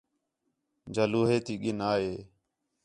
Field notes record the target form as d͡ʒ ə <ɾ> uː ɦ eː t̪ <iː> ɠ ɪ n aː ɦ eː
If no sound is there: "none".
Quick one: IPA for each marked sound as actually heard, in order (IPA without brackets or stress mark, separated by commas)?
l, iː